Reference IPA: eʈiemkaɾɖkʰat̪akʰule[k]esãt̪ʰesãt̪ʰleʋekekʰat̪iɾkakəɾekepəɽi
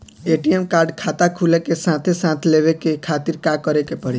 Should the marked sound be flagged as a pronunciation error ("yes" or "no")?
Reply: no